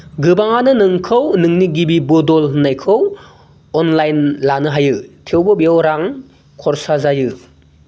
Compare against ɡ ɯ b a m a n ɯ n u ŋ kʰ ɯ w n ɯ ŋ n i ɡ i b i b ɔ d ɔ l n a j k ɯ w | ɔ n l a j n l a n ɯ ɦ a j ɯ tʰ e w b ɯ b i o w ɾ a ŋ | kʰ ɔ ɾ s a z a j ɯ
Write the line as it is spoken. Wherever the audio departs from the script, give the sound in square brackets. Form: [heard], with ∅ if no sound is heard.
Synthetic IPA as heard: ɡ ɯ b a [ŋ] a n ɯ n [ɯ] ŋ kʰ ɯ w n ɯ ŋ n i ɡ i b i b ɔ d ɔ l n a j [kʰ] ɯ w | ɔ n l a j n l a n ɯ ɦ a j ɯ tʰ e w b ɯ b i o w ɾ a ŋ | kʰ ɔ ɾ s a z a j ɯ